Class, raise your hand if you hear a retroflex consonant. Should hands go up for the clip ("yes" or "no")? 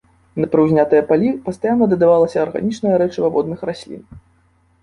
yes